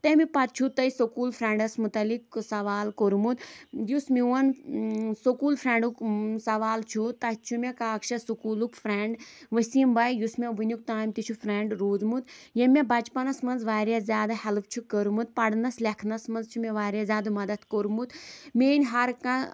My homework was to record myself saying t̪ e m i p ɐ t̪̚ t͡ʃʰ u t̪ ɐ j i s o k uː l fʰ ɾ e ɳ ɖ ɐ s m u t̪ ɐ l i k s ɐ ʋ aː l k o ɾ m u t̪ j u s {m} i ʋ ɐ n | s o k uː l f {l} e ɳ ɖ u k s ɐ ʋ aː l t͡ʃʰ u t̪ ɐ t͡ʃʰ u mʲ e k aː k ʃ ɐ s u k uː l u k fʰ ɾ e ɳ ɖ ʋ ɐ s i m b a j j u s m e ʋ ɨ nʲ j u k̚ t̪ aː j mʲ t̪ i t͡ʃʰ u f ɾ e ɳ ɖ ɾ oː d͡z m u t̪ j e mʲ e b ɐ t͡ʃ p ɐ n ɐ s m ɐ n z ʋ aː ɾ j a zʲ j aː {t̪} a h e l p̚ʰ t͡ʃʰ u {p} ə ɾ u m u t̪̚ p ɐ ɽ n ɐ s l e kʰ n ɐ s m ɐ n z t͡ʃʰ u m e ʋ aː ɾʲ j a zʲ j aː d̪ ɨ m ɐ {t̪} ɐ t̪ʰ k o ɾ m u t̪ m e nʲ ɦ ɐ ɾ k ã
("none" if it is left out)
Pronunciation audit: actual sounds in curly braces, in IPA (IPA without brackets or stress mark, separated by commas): m, ɾ, d̪, k, d̪